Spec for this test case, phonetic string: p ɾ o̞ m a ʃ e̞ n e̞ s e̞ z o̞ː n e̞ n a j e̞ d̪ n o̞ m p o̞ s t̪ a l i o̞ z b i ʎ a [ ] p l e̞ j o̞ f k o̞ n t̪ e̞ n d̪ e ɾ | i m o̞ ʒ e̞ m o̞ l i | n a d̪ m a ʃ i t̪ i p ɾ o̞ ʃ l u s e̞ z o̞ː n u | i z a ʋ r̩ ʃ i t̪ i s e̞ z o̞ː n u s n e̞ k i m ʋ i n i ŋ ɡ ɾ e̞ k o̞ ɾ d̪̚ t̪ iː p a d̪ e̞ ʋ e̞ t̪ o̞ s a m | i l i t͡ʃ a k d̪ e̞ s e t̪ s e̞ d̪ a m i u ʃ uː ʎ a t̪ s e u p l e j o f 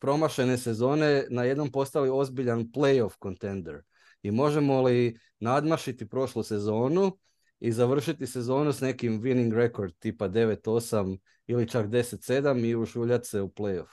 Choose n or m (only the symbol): n